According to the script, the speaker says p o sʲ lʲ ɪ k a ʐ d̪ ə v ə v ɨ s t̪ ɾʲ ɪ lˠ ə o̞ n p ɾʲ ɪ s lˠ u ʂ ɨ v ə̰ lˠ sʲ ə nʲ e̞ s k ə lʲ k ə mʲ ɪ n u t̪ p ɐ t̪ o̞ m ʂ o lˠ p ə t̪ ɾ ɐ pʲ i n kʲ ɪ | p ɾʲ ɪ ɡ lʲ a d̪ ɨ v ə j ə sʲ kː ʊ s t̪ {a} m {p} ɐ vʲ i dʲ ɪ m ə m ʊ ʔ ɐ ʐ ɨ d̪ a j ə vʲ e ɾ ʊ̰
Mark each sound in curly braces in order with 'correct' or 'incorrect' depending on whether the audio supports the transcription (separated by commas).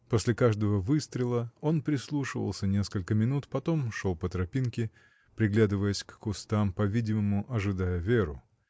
correct, correct